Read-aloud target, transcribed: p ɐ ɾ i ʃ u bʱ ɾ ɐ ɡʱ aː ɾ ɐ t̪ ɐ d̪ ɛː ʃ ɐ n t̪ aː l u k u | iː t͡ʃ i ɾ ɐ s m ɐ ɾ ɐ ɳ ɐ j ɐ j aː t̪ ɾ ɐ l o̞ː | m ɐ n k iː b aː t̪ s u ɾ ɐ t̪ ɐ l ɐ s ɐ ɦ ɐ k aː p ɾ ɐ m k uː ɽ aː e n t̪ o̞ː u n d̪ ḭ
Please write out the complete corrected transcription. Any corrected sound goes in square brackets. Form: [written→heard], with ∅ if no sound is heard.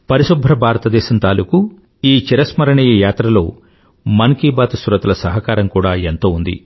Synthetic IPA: p ɐ ɾ i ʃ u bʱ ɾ ɐ [ɡʱ→bʱ] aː ɾ ɐ t̪ ɐ d̪ ɛː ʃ ɐ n t̪ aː l u k u | iː t͡ʃ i ɾ ɐ s m ɐ ɾ ɐ ɳ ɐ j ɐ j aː t̪ ɾ ɐ l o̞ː | m ɐ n k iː b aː t̪ s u ɾ ɐ t̪ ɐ l ɐ s ɐ ɦ ɐ k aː [p→∅] ɾ ɐ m k uː ɽ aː e n t̪ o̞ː u n d̪ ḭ